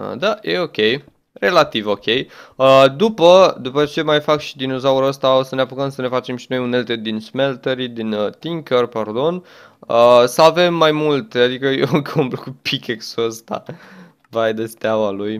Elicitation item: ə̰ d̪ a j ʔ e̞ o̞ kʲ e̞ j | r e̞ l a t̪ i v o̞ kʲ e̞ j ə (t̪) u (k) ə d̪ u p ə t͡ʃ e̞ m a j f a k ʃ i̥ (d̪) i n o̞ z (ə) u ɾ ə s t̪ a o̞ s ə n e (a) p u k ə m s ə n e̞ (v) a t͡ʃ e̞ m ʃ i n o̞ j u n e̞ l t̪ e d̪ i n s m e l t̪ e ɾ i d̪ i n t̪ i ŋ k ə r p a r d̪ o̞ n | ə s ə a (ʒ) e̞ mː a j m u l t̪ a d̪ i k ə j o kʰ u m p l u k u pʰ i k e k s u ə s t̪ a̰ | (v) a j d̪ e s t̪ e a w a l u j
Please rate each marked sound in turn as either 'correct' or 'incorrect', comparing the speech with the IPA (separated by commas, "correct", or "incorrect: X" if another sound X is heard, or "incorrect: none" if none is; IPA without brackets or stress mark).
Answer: incorrect: d̪, incorrect: p, correct, incorrect: a, correct, incorrect: f, incorrect: v, correct